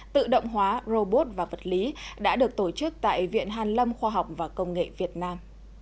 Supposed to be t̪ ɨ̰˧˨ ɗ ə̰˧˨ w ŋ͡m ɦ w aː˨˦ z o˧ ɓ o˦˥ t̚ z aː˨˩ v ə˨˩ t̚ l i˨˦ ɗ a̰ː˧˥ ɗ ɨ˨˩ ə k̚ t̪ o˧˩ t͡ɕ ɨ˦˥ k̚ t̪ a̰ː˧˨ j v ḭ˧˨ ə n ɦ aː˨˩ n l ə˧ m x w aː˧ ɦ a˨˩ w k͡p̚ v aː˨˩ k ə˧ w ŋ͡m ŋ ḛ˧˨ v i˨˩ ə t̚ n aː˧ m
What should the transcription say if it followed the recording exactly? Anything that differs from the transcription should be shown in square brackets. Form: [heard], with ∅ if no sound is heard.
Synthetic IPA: t̪ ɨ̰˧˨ ɗ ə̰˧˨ w ŋ͡m ɦ w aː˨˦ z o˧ ɓ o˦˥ t̚ [v] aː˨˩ v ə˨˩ t̚ l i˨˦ ɗ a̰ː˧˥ ɗ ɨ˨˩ ə k̚ t̪ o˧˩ t͡ɕ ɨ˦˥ k̚ t̪ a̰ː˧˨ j v ḭ˧˨ ə n ɦ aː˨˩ n l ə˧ m x w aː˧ ɦ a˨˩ w k͡p̚ v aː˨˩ k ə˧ w ŋ͡m ŋ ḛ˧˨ v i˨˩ ə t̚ n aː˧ m

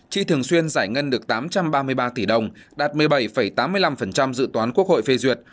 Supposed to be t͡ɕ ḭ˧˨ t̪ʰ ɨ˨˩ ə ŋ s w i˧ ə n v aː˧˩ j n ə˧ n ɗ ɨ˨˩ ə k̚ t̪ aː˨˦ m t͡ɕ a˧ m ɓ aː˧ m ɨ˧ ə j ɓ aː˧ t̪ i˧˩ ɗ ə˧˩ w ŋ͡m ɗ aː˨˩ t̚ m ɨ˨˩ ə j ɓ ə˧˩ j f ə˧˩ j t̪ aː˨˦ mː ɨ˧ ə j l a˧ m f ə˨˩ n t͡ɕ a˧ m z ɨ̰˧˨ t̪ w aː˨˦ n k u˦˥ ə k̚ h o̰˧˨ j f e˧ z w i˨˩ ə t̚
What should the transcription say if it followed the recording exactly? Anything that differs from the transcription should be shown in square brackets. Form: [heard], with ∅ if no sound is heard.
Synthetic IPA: t͡ɕ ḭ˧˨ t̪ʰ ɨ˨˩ ə ŋ s w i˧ ə n [z] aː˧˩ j [ŋ] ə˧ n ɗ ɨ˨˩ ə k̚ t̪ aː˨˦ m t͡ɕ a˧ m ɓ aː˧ m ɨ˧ ə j ɓ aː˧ t̪ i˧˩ ɗ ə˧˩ w ŋ͡m ɗ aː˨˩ t̚ m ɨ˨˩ ə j ɓ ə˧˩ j f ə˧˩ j t̪ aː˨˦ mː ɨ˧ ə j l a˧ m f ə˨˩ n t͡ɕ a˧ m z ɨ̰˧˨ t̪ w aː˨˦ n k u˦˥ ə k̚ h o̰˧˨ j f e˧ z w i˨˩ ə t̚

